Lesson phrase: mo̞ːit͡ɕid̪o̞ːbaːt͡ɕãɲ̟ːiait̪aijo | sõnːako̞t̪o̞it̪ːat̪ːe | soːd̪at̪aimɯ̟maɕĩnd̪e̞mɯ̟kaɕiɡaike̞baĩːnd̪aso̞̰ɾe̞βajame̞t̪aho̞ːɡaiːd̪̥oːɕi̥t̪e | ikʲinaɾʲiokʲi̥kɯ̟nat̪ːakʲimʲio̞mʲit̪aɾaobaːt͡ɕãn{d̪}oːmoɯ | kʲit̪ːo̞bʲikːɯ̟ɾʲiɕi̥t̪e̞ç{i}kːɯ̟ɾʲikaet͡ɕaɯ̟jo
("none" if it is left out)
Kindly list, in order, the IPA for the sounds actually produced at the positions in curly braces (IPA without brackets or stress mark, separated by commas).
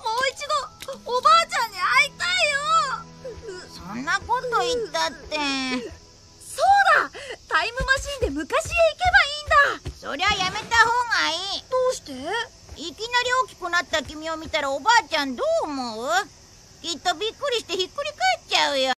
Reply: d̪, i